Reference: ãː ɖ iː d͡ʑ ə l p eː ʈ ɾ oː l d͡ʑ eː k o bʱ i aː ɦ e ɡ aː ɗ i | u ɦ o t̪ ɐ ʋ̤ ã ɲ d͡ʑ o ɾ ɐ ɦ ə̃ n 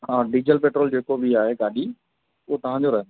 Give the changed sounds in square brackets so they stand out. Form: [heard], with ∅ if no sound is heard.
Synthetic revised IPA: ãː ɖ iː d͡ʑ ə l p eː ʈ ɾ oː l d͡ʑ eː k o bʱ i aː ɦ e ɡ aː ɗ i | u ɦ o t̪ ɐ ʋ̤ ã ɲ d͡ʑ o ɾ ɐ ɦ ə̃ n